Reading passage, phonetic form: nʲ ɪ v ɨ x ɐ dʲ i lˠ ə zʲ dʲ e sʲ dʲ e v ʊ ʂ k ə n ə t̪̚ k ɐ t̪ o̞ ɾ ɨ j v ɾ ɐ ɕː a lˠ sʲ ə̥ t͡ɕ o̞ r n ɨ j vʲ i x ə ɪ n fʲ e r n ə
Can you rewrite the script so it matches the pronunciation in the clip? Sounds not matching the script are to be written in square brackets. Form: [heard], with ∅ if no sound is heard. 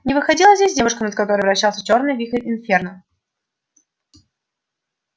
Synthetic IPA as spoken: nʲ ɪ v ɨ x ɐ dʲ i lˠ ə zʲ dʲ e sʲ dʲ e v ʊ ʂ k ə n ə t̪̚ k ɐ t̪ o̞ ɾ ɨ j v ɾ ɐ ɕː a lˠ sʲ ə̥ t͡ɕ o̞ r n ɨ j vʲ i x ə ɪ n fʲ e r n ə